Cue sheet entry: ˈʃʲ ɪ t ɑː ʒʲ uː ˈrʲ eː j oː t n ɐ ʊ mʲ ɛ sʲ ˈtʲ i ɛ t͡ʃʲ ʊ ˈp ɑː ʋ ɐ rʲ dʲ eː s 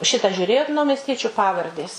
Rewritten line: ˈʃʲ ɪ t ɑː ʒʲ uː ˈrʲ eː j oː t n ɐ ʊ mʲ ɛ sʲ ˈtʲ i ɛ t͡ʃʲ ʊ ˈp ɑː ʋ ɐ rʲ dʲ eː s